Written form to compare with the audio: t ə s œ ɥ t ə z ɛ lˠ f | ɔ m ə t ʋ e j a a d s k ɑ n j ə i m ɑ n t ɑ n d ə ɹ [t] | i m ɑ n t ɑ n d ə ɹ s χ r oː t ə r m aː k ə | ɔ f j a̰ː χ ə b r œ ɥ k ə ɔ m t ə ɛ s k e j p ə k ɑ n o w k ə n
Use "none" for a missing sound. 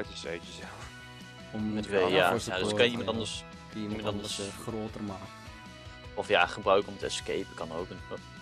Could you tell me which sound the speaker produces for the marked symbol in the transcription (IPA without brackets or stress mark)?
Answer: s